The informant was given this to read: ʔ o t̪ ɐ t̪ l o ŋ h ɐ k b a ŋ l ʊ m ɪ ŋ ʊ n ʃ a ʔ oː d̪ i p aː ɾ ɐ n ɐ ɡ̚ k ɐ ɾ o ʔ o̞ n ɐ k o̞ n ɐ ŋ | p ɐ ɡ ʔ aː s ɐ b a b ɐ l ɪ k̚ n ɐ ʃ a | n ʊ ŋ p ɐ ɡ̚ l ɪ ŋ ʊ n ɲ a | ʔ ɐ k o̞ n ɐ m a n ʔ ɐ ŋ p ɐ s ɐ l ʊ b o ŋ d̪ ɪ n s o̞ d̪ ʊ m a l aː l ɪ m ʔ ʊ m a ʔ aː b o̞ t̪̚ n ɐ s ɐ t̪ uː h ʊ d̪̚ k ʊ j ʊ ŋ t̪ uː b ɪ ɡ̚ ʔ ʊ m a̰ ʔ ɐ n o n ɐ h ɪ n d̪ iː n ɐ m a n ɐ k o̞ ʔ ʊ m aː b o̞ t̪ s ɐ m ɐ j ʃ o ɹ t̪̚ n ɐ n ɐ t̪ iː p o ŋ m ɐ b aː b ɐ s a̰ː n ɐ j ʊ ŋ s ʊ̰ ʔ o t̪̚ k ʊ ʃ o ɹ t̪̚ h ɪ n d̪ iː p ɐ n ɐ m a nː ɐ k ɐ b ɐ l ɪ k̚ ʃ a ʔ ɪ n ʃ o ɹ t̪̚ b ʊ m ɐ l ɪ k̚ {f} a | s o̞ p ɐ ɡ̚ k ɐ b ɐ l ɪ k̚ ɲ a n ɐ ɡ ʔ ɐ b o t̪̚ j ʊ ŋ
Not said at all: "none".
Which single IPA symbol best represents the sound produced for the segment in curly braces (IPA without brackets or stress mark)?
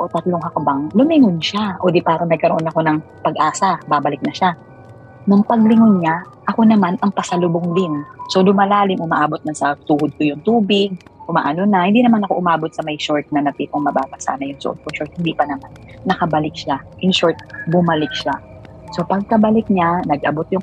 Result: ʃ